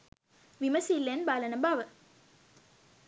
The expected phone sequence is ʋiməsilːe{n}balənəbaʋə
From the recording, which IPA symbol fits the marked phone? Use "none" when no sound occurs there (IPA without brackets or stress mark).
n